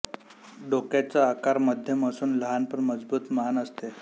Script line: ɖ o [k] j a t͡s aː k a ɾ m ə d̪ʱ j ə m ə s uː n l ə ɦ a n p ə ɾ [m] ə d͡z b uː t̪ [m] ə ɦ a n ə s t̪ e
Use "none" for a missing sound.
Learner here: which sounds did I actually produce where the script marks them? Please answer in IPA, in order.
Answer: k, m, m

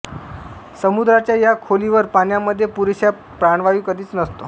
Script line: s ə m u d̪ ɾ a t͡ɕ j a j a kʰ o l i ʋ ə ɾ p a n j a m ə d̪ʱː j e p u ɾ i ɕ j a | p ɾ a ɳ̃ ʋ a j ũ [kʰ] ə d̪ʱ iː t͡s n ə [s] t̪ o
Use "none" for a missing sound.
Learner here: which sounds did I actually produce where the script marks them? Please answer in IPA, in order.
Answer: k, s

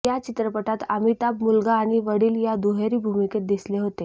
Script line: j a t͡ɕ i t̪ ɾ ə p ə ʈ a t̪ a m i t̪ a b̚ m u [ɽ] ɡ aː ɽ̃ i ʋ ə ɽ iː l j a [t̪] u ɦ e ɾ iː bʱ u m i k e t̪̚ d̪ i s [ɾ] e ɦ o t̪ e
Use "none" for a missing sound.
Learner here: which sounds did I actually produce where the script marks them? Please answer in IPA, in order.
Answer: l, d̪, l

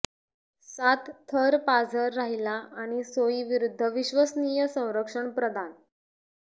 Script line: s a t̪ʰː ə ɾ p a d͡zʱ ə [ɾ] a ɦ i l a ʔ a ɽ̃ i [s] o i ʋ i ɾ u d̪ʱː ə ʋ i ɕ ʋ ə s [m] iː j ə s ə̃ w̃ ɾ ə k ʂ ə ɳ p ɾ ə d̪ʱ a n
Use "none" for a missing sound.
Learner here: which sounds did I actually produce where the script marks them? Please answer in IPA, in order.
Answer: ɾː, s, n

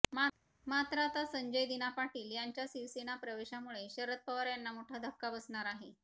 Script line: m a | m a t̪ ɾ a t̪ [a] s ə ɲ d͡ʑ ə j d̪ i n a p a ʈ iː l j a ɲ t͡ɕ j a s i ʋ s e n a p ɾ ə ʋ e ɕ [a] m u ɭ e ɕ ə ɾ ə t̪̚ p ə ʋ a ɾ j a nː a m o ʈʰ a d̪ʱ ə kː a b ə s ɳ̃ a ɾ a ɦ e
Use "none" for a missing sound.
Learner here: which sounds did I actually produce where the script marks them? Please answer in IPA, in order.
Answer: a, a

